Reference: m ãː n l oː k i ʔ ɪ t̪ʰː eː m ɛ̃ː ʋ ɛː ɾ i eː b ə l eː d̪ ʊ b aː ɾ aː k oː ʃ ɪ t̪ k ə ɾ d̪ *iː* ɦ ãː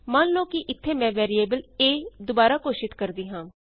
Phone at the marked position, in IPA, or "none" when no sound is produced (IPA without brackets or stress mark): iː